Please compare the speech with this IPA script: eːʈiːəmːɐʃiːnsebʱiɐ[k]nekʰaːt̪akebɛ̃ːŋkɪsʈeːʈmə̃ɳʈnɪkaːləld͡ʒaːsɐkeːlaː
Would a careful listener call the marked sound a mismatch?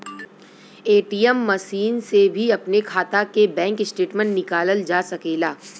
yes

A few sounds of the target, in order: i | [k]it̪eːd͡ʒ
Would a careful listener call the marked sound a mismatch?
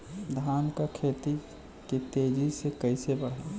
no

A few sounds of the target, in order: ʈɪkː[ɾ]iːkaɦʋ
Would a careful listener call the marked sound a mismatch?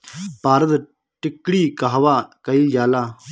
yes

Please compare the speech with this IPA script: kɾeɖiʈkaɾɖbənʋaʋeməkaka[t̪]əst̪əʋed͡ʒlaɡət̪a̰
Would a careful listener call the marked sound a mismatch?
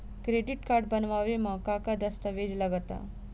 yes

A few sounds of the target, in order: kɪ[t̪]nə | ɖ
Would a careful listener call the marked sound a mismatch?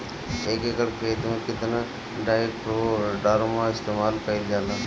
no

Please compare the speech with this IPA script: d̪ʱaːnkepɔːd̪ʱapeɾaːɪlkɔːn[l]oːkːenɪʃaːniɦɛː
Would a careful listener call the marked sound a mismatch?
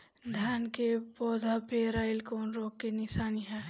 yes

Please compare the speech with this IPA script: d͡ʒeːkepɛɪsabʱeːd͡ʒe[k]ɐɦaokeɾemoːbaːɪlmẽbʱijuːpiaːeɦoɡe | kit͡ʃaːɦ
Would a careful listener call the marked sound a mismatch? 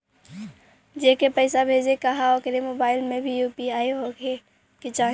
no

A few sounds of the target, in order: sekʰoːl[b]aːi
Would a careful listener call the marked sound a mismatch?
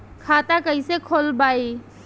no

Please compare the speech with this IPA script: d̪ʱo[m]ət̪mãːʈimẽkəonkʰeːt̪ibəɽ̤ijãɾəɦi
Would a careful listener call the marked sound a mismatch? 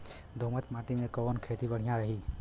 no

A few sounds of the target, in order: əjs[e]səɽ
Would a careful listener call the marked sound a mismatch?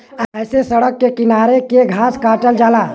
no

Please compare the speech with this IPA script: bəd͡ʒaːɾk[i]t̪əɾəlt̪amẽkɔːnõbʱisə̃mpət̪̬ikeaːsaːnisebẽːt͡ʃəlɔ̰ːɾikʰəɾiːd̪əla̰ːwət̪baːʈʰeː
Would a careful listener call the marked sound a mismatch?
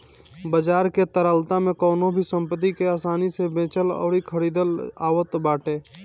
yes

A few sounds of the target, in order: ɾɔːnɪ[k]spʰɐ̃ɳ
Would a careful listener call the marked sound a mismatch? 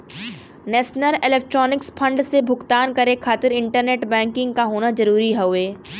no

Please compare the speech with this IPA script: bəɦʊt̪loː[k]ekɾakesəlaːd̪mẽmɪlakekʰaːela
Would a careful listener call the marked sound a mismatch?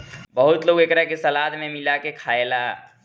yes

